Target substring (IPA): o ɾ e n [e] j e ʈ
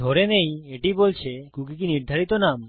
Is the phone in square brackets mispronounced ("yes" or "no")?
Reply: no